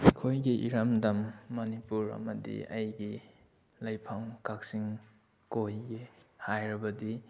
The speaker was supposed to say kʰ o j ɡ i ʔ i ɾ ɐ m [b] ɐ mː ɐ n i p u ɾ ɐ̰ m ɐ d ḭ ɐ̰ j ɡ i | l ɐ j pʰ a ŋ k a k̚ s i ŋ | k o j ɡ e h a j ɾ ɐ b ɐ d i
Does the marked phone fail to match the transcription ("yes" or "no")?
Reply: yes